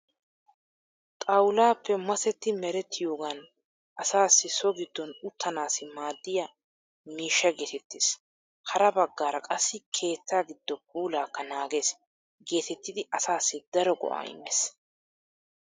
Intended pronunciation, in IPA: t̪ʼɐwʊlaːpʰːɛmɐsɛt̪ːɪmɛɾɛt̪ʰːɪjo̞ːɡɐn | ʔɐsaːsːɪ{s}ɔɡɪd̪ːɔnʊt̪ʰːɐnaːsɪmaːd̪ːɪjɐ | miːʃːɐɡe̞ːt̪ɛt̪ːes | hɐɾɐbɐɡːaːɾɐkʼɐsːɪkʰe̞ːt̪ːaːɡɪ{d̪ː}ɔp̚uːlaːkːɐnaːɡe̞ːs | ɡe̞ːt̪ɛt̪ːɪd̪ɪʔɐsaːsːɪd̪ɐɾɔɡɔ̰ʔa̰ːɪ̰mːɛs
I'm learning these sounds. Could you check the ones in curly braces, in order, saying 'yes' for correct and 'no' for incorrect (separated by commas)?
yes, yes